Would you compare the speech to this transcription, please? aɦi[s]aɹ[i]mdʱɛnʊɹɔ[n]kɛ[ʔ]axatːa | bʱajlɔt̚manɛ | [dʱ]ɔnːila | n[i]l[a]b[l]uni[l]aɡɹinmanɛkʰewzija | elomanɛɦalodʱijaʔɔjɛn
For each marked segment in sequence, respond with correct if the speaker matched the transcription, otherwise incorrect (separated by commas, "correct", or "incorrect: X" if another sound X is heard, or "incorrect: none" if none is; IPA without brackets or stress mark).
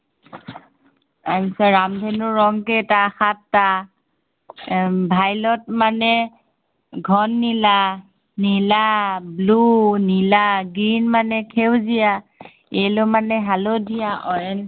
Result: correct, incorrect: a, incorrect: ŋ, incorrect: t, incorrect: ɡʱ, correct, correct, correct, correct